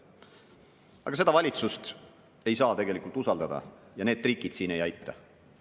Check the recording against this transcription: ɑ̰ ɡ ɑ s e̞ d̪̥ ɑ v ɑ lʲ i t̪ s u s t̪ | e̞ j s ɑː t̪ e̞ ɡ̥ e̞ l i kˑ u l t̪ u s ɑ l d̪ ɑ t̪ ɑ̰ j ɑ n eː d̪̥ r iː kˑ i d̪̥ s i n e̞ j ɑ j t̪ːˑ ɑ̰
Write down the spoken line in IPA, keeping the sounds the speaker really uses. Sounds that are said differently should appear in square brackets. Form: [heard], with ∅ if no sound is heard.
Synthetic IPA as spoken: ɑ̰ ɡ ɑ s e̞ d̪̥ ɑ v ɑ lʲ i t̪ s u s t̪ | e̞ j s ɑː t̪ e̞ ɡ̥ e̞ l i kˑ u l t̪ u s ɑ l d̪ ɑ [d̪] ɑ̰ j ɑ n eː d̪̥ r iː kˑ i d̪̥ s [iː] n e̞ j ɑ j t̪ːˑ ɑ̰